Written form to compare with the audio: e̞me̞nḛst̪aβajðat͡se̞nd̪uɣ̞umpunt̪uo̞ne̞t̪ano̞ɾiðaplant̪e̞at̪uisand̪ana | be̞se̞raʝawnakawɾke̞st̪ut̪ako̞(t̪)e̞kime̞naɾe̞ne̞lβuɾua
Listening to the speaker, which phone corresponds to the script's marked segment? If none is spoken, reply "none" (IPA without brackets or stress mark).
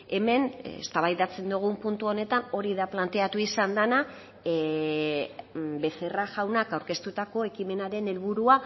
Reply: none